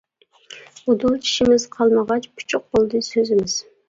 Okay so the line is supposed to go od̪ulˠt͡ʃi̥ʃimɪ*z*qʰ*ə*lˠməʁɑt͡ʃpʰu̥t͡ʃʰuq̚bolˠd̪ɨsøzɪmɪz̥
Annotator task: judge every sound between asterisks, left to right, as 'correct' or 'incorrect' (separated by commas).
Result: correct, incorrect